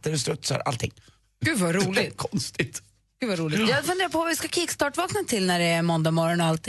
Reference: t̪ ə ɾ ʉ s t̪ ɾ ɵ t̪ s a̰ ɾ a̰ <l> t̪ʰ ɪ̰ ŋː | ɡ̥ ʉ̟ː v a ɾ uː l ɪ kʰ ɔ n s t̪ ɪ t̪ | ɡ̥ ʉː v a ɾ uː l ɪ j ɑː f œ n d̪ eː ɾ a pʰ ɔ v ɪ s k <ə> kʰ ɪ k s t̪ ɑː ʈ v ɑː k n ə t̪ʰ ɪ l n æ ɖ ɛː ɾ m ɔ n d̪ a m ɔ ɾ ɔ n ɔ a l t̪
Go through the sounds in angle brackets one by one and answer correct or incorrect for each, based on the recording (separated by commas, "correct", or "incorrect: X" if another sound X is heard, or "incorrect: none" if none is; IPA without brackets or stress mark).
correct, incorrect: a